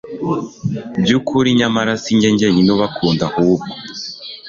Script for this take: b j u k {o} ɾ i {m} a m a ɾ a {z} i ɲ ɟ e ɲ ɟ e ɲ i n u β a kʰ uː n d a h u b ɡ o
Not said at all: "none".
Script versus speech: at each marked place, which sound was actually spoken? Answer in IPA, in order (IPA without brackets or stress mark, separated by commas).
u, ɲ, s